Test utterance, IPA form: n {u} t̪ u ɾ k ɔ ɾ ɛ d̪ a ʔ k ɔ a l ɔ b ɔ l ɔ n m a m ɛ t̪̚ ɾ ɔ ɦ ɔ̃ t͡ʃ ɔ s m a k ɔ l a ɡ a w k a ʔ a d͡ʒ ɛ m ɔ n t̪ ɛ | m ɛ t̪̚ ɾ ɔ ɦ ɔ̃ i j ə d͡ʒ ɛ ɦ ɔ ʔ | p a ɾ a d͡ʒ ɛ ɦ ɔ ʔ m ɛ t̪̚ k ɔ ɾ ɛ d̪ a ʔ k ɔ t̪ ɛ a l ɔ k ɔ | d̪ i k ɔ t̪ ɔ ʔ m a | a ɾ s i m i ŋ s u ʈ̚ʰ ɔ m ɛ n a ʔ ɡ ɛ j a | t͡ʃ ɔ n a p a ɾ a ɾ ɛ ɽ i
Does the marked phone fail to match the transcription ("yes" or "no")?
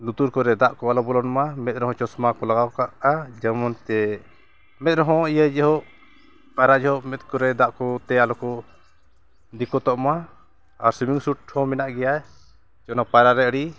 no